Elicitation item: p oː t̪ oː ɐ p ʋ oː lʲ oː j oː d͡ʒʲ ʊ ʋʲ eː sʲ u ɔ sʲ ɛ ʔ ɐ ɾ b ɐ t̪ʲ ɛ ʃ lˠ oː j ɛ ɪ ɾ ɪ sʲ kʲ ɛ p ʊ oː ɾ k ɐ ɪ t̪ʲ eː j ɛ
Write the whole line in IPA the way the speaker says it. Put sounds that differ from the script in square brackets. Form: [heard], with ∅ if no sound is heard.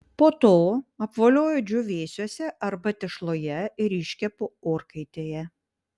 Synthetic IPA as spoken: p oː t̪ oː ɐ p ʋ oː lʲ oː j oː d͡ʒʲ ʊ ʋʲ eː sʲ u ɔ sʲ ɛ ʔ ɐ ɾ b ɐ t̪ʲ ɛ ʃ lˠ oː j ɛ ɪ ɾ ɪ [ʃʲ] kʲ ɛ p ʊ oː ɾ k ɐ ɪ t̪ʲ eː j ɛ